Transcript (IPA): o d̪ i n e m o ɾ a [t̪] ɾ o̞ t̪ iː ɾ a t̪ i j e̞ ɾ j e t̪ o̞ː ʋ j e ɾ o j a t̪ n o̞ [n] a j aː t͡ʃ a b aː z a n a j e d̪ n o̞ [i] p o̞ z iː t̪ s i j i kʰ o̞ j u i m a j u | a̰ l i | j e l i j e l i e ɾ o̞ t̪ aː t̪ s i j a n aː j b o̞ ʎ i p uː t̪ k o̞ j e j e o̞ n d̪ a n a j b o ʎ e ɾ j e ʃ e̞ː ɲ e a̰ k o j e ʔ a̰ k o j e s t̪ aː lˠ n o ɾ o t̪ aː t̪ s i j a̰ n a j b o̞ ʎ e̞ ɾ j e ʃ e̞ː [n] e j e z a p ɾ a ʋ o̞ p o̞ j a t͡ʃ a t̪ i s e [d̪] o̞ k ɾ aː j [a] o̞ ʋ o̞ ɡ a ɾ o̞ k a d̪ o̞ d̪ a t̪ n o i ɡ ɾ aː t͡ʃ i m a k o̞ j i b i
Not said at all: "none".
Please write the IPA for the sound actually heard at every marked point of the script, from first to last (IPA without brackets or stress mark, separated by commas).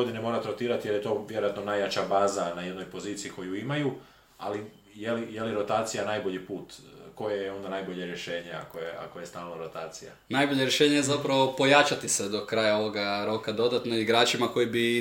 t̪, n, j, ɲ, d̪, a